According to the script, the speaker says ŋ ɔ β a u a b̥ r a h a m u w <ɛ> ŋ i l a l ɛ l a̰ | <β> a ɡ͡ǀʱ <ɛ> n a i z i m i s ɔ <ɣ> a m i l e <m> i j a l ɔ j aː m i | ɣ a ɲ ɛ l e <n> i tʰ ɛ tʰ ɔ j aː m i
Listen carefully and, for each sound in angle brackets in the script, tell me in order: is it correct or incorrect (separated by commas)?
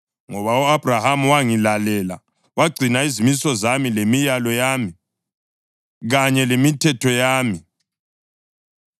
incorrect, incorrect, incorrect, incorrect, correct, incorrect